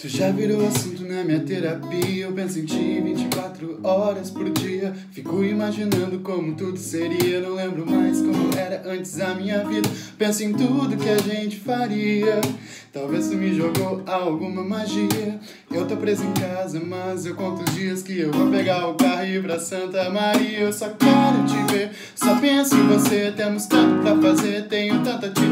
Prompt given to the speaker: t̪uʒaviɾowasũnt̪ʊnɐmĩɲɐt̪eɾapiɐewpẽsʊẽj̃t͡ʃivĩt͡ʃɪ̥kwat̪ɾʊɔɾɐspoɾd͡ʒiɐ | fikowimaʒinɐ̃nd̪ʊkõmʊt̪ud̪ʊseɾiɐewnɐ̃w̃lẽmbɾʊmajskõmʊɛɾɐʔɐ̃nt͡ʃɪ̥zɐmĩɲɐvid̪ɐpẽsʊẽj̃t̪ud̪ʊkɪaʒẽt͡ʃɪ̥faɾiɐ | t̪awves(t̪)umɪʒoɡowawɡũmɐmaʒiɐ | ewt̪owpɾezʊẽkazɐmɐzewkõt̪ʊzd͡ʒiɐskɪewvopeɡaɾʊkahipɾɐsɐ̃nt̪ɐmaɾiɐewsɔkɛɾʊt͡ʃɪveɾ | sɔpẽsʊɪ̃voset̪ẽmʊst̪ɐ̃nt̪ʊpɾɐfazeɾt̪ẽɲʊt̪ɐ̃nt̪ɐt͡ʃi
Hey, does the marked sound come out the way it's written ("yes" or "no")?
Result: yes